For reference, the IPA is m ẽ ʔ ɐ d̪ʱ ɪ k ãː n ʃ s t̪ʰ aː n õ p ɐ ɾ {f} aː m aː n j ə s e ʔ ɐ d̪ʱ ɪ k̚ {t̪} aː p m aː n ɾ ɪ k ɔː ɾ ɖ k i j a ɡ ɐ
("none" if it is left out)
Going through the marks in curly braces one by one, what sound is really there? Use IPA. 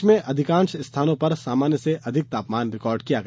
s, t̪

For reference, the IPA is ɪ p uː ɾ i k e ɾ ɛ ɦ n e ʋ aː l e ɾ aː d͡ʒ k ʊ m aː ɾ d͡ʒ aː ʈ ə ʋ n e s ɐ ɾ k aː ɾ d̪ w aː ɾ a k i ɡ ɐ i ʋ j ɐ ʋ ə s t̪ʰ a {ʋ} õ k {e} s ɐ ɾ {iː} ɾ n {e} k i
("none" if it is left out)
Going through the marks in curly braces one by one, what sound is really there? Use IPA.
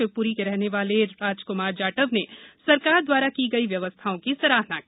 none, i, aː, a

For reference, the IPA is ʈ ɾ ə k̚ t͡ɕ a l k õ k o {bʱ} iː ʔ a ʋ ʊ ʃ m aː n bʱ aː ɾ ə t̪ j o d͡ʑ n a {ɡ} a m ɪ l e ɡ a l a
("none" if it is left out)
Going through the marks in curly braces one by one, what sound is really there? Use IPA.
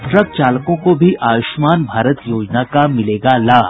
bʱ, k

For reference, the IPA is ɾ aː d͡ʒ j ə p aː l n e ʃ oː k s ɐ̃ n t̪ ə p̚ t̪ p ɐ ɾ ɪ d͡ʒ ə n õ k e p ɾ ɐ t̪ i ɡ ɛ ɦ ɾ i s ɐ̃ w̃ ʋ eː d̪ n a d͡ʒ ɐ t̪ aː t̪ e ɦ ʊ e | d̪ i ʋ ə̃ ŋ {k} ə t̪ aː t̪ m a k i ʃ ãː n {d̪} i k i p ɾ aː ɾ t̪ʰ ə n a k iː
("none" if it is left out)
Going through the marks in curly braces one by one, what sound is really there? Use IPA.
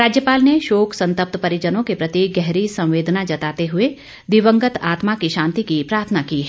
ɡ, t̪

